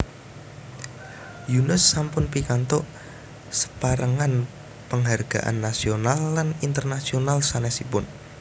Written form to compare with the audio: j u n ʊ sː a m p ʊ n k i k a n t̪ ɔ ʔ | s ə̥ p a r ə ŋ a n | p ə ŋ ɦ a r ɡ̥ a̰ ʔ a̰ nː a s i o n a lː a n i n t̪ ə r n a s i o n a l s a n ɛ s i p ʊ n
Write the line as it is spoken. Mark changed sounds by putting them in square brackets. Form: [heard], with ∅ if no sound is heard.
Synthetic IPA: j u n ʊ sː a m p ʊ n [p] i k a n t̪ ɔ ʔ | s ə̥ p a [ɾ] ə ŋ a n | p ə ŋ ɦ a r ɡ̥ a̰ ʔ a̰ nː a s i o n a lː a n i n t̪ ə r n a s i o n a l s a n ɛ s i p ʊ n